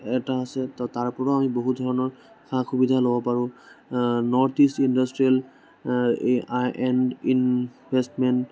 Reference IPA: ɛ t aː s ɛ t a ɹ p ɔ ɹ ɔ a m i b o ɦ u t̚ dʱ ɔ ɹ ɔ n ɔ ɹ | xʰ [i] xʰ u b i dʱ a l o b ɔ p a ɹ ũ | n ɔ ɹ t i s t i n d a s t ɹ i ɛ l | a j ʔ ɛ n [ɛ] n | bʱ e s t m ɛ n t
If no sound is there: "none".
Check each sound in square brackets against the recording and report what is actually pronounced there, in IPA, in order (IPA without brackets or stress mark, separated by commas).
a, i